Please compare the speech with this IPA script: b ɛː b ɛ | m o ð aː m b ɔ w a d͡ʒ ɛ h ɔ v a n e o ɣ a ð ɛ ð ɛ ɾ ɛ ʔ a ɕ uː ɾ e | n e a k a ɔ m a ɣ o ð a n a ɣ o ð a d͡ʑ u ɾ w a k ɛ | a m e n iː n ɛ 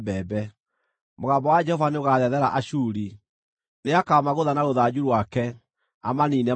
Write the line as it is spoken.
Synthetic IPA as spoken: b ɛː b ɛ | m o ɣ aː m b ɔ w a d͡ʒ ɛ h ɔ v a n e o ɣ a ð ɛ ð ɛ ɾ a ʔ a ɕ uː ɾ i | n e a k a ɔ m a ɣ o ð a n a ɣ o ð a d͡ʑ u ɾ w a k ɛ | a m a n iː n ɛ